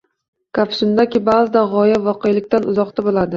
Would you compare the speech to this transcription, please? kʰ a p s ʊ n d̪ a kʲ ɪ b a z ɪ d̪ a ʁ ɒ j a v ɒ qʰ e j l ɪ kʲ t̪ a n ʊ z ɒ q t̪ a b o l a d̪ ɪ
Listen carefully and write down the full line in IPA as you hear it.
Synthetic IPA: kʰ a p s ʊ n d̪ a kʲ ɪ b a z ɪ d̪ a ʁ ɒ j a v ɒ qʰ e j l ɪ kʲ t̪ a n ʊ z ɒ q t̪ a b o l a d̪ ɪ